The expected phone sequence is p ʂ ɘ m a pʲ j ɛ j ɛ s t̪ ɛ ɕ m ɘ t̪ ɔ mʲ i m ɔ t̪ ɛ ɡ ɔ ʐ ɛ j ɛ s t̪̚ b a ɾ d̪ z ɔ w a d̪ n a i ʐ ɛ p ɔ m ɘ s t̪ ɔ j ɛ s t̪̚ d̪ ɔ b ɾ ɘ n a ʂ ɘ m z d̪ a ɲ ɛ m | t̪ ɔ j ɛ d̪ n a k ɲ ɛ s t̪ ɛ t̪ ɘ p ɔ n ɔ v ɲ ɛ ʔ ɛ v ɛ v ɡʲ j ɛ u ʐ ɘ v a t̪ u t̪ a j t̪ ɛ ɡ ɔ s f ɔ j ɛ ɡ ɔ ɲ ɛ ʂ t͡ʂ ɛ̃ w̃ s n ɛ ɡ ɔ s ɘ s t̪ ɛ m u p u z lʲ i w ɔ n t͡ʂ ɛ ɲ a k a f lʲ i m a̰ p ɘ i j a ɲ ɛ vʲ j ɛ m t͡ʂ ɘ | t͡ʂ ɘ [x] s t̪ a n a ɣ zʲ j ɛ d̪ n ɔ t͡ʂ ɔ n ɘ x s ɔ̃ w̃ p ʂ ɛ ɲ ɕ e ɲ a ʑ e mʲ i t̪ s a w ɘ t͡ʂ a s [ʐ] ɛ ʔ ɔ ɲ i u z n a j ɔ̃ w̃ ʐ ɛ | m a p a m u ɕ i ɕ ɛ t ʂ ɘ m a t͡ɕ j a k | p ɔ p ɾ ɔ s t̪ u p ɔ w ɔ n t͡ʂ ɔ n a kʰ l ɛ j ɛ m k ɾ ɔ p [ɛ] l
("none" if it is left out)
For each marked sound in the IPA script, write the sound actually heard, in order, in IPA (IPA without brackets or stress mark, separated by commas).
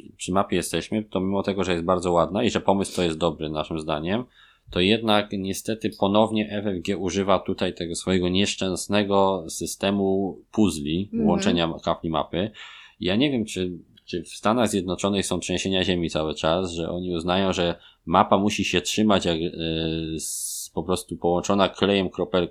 f, ʐ, ɛ